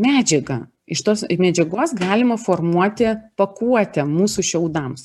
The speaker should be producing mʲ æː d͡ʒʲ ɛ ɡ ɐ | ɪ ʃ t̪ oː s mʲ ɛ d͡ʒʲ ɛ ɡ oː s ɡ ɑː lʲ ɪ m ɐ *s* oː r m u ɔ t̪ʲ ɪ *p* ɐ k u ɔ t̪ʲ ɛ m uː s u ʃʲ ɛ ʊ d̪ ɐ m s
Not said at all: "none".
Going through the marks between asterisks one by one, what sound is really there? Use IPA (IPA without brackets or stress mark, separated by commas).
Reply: f, p